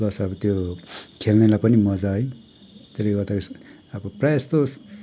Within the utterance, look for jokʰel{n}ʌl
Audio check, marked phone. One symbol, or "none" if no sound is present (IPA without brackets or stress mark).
n